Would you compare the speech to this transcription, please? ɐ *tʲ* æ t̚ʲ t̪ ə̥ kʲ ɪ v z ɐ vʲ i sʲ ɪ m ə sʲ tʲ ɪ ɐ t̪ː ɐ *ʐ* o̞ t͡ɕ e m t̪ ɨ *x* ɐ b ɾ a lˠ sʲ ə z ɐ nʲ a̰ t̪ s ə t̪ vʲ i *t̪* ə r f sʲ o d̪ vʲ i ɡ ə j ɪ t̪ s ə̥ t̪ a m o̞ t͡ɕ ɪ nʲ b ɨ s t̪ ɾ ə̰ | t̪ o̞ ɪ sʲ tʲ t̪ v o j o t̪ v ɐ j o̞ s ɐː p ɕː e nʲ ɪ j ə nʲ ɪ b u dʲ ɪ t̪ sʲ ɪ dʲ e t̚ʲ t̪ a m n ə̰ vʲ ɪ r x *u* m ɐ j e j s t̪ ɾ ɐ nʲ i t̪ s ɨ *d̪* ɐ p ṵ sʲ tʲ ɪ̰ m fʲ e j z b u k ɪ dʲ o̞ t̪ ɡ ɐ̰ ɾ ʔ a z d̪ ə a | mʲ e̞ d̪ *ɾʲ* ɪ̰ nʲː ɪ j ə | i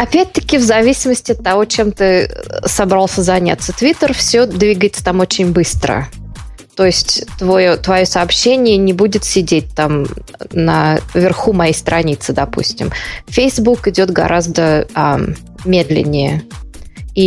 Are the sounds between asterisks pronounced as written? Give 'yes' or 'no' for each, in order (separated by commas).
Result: no, no, no, yes, yes, yes, no